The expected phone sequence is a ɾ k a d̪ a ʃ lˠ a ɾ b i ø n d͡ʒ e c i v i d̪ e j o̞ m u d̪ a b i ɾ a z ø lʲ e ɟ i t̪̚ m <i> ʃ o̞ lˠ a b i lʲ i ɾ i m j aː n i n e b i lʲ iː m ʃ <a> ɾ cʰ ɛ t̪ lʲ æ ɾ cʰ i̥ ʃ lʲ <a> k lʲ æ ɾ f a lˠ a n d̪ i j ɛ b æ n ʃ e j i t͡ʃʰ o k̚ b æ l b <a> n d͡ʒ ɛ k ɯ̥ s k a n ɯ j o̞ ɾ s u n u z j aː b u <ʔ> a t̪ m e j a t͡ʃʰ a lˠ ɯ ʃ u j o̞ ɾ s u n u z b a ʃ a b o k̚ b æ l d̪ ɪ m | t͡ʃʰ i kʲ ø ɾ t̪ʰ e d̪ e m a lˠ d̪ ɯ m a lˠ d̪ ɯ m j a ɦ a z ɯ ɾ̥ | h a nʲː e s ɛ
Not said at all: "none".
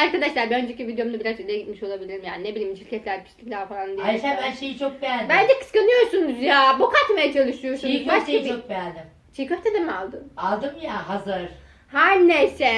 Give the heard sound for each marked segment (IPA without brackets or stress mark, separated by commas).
i, i, i, æ, k